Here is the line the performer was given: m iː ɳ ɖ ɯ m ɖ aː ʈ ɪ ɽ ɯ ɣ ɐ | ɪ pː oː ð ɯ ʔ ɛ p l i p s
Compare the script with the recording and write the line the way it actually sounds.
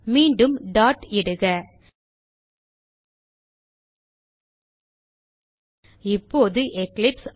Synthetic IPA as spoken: m iː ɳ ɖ ɯ m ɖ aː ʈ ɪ ɽ ɯ ɣ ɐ | ɪ pː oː ð ɯ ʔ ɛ k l ɪ p s

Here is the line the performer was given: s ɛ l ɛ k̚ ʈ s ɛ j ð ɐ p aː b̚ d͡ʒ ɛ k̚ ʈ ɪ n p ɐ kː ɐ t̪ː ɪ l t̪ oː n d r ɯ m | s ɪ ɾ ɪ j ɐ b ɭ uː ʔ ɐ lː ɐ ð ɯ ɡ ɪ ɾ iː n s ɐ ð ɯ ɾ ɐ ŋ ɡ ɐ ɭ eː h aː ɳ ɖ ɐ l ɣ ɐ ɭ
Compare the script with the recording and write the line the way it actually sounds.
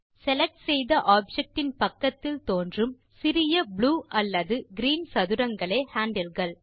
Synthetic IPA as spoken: s ɛ l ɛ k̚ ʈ s ɛ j ð ɐ ʔ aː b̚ d͡ʒ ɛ k̚ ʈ ɪ n p ɐ kː ɐ t̪ː ɪ l t̪ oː n d r ɯ m | s ɪ ɾ ɪ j ɐ b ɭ uː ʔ ɐ lː ɐ ð ɯ ɡ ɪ ɾ iː n s ɐ ð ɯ ɾ ɐ ŋ ɡ ɐ ɭ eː h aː ɳ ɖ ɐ l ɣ ɐ ɭ

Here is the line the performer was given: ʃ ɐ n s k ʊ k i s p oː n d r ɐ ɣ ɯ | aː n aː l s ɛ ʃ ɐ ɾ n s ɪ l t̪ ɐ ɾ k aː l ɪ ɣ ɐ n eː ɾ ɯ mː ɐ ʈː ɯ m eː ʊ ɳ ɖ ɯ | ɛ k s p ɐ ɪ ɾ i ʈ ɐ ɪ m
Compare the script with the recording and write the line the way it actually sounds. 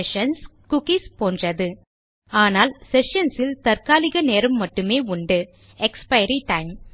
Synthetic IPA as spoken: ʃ ɐ n s k ʊ k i s p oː n d r ɐ ð ɯ | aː n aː l s ɛ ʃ ɐ n s ɪ l t̪ ɐ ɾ k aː l ɪ ɣ ɐ n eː ɾ ɯ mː ɐ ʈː ɯ m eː ʊ ɳ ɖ ɯ | ɛ k s p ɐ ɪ ɾ i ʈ ɐ ɪ m

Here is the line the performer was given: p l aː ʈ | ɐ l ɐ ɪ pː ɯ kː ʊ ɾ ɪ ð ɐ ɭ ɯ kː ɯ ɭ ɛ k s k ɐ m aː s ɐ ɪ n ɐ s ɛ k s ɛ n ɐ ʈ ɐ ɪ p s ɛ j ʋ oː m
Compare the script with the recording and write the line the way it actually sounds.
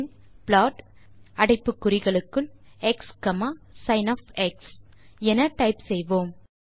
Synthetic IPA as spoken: p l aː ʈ | ɐ ɽ ɐ ɪ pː ɯ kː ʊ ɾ ɪ ɣ ɐ ɭ ɯ kː ɯ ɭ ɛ k s k ɐ m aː s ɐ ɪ n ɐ f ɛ k s ɛ n ɐ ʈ ɐ ɪ p s ɛ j ʋ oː m

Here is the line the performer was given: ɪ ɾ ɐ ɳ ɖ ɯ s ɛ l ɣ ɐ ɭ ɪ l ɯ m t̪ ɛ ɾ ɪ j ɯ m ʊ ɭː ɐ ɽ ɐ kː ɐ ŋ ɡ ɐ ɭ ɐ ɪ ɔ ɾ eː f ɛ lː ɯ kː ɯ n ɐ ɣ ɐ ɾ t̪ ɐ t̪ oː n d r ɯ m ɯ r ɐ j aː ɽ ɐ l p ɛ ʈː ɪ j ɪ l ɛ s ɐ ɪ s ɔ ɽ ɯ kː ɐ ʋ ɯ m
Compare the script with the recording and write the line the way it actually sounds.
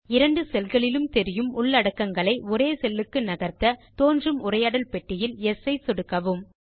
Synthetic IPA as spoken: ɪ ɾ ɐ ɳ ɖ ɯ s ɛ l ɣ ɐ ɭ ɪ l ɯ m t̪ ɛ ɾ ɪ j ɯ m ʊ ɭː ɐ ɽ ɐ kː ɐ ŋ ɡ ɐ ɭ ɐ ɪ ɔ ɾ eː s ɛ lː ɯ kː ɯ n ɐ ɣ ɐ ɾ t̪ ɐ t̪ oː n d r ɯ m ʊ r ɐ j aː ɽ ɐ l p ɛ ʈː ɪ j ɪ l ɛ s ɐ ɪ s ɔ ɽ ɯ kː ɐ ʋ ɯ m

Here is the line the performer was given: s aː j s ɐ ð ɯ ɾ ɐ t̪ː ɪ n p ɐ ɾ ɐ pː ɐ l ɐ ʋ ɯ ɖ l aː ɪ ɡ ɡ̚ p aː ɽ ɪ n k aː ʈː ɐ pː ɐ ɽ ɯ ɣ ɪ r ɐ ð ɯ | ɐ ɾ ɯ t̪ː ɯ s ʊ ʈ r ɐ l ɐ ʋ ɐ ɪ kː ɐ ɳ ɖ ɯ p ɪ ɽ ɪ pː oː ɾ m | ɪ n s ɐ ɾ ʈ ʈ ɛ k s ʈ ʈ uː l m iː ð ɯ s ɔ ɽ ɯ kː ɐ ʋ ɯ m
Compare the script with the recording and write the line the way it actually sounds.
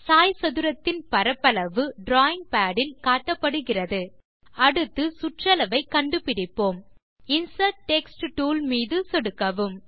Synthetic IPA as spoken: s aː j s ɐ ð ɯ ɾ ɐ t̪ː ɪ n p ɐ ɾ ɐ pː ɐ l ɐ ʋ ɯ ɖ ɾ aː ɪ ŋ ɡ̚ p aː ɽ ɪ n k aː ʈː ɐ pː ɐ ɽ ɯ ɣ ɪ r ɐ ð ɯ | ɐ ɽ ɯ t̪ː ɯ s ʊ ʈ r ɐ l ɐ ʋ ɐ ɪ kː ɐ ɳ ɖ ɯ p ɪ ɽ ɪ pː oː m | ɪ n s ɐ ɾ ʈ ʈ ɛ k s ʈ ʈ uː l m iː ð ɯ s ɔ ɽ ɯ kː ɐ ʋ ɯ m

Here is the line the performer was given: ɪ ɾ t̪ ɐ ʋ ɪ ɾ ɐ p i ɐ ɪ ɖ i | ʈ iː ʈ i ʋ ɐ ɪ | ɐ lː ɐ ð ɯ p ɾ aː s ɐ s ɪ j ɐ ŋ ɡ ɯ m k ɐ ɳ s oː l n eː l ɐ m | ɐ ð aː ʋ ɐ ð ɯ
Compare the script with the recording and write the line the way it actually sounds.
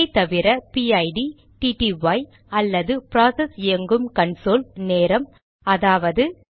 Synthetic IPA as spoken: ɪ t̪ ɐ ʋ ɪ ɾ ɐ p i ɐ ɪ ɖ i | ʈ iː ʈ i ʋ ɐ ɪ | ɐ lː ɐ ð ɯ p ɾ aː s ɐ s ɪ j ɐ ŋ ɡ ɯ m k ɐ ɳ s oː l n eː ɾ ɐ m | ɐ ð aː ʋ ɐ ð ɯ

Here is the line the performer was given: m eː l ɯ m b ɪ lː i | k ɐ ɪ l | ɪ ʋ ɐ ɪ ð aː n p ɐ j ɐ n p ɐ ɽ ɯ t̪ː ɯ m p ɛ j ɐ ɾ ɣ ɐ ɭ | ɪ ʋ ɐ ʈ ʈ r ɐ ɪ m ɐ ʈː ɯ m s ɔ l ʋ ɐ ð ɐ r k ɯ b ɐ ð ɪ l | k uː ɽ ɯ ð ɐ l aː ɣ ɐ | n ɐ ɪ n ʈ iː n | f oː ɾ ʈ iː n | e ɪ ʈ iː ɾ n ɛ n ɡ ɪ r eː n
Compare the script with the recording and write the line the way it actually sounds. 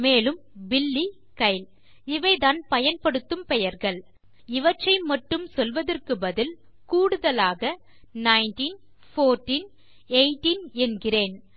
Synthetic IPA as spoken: m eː l ɯ m b ɪ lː i | k ɐ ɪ l | ɪ ʋ ɐ ɪ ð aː n p ɐ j ɐ n p ɐ ɽ ɯ t̪ː ɯ m p ɛ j ɐ ɾ ɣ ɐ ɭ | ɪ ʋ ɐ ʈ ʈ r ɐ ɪ m ɐ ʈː ɯ m s ɔ l ʋ ɐ ð ɐ r k ɯ b ɐ ð ɪ l | k uː ɽ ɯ ð ɐ l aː ɣ ɐ | n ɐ ɪ n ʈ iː n | f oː ɾ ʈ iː n | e ɪ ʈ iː n ɛ n ɡ ɪ r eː n

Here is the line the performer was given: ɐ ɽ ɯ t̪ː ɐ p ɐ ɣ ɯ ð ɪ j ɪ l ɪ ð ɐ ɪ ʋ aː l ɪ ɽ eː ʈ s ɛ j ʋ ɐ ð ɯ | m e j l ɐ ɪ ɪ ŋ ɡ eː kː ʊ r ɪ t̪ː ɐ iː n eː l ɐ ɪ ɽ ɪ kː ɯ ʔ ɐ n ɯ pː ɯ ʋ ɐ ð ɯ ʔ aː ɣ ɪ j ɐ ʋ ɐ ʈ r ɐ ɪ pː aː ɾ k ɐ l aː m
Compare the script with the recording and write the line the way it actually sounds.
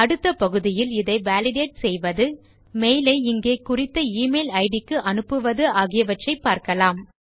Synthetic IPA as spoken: ɐ ɽ ɯ t̪ː ɐ p ɐ ɣ ɯ ð ɪ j ɪ l ɪ ð ɐ ɪ ʋ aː l ɪ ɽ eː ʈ s ɛ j ʋ ɐ ð ɯ | m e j l ɐ ɪ ɪ ŋ ɡ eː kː ʊ r ɪ t̪ː ɐ iː m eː l ɐ ɪ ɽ ɪ kː ɯ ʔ ɐ n ɯ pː ɯ ʋ ɐ ð ɯ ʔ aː ɣ ɪ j ɐ ʋ ɐ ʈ r ɐ ɪ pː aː ɾ k ɐ l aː m

